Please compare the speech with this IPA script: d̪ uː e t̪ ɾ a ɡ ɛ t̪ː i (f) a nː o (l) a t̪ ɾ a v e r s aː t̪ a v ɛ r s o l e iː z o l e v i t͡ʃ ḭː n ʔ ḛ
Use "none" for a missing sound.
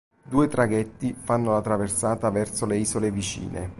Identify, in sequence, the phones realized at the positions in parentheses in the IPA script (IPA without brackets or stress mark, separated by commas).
f, l